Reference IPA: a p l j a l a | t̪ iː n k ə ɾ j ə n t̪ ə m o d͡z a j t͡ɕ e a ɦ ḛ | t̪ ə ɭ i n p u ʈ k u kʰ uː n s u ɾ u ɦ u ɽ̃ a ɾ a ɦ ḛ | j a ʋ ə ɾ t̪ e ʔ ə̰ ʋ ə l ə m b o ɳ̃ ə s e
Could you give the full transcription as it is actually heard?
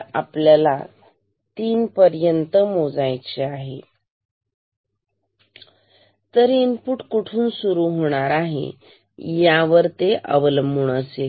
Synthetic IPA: a p l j a l a | t̪ iː n p ə ɾ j ə n t̪ ə m o d͡z a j t͡ɕ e a ɦ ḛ | t̪ ə ɾ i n p u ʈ k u ʈʰ uː n s u ɾ u ɦ o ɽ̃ a ɾ a ɦ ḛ | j a ʋ ə ɾ t̪ e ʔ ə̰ ʋ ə l ə m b u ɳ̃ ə s e

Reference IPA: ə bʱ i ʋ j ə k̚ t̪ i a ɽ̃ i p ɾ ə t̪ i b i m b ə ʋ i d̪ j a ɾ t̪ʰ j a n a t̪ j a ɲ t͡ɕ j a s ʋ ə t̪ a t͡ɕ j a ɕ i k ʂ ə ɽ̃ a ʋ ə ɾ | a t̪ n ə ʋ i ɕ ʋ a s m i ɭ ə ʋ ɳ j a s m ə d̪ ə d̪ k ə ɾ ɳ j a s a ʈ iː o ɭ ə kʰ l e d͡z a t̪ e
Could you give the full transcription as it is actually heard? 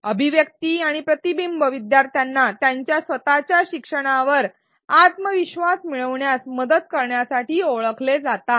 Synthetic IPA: ə bʱ i ʋ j ə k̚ t̪ i a ɽ̃ i p ɾ ə t̪ i b i m b ə ʋ i d̪ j a ɾ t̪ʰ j a nː a t̪ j a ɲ t͡ɕ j a s ʋ ə t̪ a t͡ɕ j a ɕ i k ʂ ə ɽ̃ a ʋ ə ɾ | a t̪ m ə ʋ i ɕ ʋ a s m i ɭ ə ʋ ɳ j a s m ə d̪ ə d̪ k ə ɾ ɳ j a s a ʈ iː o ɭ ə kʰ l e d͡z a t̪ a

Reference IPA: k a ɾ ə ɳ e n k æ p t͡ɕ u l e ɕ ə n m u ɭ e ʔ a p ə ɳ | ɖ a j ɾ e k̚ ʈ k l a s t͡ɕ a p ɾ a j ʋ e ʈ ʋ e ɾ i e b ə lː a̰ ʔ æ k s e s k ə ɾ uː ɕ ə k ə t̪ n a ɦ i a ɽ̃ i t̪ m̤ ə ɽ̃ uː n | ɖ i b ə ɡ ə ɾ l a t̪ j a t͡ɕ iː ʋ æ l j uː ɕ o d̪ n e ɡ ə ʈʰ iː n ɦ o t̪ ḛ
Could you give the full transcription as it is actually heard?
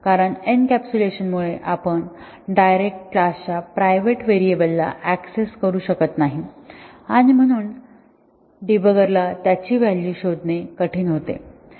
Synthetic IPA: k a ɾ ə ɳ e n k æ p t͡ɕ u l e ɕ ə n m u ɭ e ʔ a p ə ɳ | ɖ a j ɾ e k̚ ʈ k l a s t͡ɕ a p ɾ a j ʋ e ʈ ʋ e ɾ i e b ə lː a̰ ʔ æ k s e s k ə ɾ uː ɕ ə k ə t̪ n a ɦ i a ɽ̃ i m̤ ə ɽ̃ uː n | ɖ i b ə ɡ ə ɾ l a t̪ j a t͡ɕ iː ʋ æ l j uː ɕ o d̪ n e k ə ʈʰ iː n ɦ o t̪ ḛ

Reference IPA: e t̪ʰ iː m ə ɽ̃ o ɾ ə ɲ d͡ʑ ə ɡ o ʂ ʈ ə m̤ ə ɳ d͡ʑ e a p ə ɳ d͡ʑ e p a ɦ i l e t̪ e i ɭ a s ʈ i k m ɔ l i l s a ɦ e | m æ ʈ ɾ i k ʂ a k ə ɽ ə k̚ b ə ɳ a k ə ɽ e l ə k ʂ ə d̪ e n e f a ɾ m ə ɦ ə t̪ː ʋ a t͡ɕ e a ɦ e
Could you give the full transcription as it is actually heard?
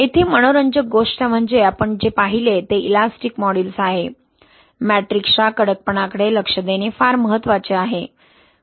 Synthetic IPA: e t̪ʰ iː m ə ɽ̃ o ɾ ə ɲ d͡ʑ ə ɡ o ʂ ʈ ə m̤ ə ɳ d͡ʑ e a p ə ɳ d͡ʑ e p a ɦ i l e t̪ e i l a s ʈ i k m ɔ ɽ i l s a ɦ e | m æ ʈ ɾ i k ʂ a k ə ɽ ə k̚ p ə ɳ a k ə ɽ e l ə k ʂ ə d̪ e n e f a ɾ m ə ɦ ə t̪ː ʋ a t͡ɕ e a ɦ e

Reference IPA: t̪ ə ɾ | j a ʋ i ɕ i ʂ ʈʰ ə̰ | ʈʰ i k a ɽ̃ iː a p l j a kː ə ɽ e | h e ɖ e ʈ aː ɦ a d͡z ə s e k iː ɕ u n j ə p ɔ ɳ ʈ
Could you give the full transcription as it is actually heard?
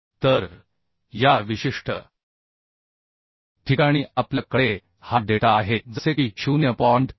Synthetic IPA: t̪ ə ɾ | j a ʋ i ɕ i ʂ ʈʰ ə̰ | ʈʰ i k a ɽ̃ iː a p l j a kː ə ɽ e | h a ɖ e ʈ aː ɦ e d͡z ə s e k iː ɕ u n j ə p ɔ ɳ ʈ

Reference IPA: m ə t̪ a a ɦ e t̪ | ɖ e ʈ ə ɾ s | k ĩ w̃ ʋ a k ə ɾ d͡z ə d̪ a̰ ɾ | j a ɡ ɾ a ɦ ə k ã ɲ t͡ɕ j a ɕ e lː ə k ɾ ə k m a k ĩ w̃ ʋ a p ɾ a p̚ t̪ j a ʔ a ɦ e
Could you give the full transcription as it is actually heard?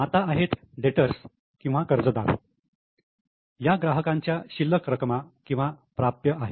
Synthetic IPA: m a t̪ a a ɦ e t̪ | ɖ e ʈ ə ɾ s | k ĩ w̃ ʋ a k ə ɾ d͡z ə d̪ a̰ ɾ | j a ɡ ɾ a ɦ ə k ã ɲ t͡ɕ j a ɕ i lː ə k ɾ ə k m a k ĩ w̃ ʋ a p ɾ a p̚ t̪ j ə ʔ a ɦ e

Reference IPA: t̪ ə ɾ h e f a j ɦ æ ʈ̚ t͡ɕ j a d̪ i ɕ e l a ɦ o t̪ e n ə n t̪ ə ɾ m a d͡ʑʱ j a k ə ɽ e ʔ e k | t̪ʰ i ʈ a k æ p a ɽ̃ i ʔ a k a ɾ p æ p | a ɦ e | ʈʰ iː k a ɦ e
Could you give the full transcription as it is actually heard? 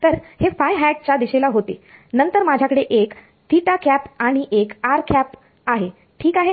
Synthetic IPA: t̪ ə ɾ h e f a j ɦ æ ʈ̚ t͡ɕ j a d̪ i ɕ e l a ɦ o t̪ e n ə n t̪ ə ɾ m a d͡ʑʱ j a k ə ɽ e ʔ e k | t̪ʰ i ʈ a k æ p a ɽ̃ i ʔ e k a ɾ k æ p | a ɦ e | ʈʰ iː k a ɦ e

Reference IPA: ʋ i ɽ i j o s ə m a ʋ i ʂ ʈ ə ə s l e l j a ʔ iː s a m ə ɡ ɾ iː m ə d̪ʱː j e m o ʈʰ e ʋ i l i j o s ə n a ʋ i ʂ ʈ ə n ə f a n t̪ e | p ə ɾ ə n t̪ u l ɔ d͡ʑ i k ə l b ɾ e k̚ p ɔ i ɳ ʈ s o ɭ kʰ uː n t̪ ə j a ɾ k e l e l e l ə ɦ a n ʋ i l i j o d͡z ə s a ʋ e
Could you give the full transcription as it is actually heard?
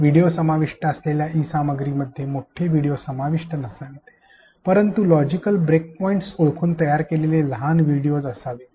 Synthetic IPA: ʋ i ɽ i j o s ə m a ʋ i ʂ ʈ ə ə s l e l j a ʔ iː s a m ə ɡ ɾ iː m ə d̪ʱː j e m o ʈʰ e ʋ i ɽ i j o s ə m a ʋ i ʂ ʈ ə n ə s a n t̪ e | p ə ɾ ə n t̪ u l ɔ d͡ʑ i k ə l b ɾ e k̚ p ɔ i ɳ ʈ s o ɭ kʰ uː n t̪ ə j a ɾ k e l e l e l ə ɦ a n ʋ i ɽ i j o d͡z ə s a ʋ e

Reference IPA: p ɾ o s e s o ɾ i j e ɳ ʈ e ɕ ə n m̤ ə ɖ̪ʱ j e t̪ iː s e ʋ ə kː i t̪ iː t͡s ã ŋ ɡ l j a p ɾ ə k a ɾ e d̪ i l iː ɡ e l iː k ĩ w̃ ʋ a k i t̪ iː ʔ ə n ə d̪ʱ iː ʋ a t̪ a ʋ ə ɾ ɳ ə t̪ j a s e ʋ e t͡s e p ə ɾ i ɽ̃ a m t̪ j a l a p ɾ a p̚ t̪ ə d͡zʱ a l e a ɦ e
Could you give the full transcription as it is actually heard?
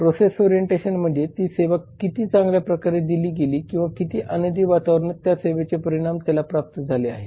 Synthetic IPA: p ɾ o s e s o ɾ i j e ɳ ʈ e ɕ ə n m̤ ə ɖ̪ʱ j e t̪ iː s e ʋ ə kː i t̪ iː t͡s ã ŋ ɡ l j a p ɾ ə k a ɾ e d̪ i l iː ɡ e l iː k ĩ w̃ ʋ a k i t̪ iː ʔ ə n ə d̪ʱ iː ʋ a t̪ a ʋ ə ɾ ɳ ə t̪ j a s e ʋ e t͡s e p ə ɾ i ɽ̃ a m t̪ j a l a p ɾ a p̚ t̪ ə d͡zʱ a l e a ɦ e

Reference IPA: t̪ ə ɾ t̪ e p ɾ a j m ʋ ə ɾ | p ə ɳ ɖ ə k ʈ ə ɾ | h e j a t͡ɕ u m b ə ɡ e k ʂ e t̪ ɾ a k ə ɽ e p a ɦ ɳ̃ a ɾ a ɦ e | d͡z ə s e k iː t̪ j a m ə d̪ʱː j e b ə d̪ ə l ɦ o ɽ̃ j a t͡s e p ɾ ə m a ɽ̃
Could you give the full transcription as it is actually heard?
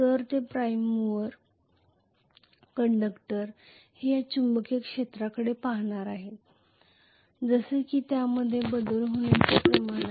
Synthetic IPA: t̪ ə ɾ t̪ e p ɾ a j m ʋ ə ɾ | k ə ɳ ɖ ə k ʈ ə ɾ | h e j a t͡ɕ u m b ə k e k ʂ e t̪ ɾ a k ə ɽ e p a ɦ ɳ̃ a ɾ a ɦ e | d͡z ə s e k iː t̪ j a m ə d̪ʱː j e b ə d̪ ə l ɦ o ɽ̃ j a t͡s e p ɾ ə m a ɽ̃

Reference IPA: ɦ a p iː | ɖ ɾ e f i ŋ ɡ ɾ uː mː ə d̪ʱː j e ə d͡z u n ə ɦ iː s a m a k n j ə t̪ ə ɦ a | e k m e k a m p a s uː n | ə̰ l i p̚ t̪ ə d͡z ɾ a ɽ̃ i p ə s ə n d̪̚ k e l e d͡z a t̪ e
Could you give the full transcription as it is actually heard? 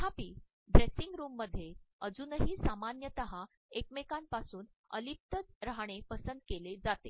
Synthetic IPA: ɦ a p iː | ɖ ɾ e s i ŋ ɡ ɾ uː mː ə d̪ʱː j e ə d͡z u n ə ɦ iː s a m a n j ə t̪ ə ɦ a | e k m e k a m p a s uː n | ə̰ l i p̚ t̪ ə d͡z ɾ a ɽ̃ e p ə s ə n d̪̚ k e l e d͡z a t̪ e

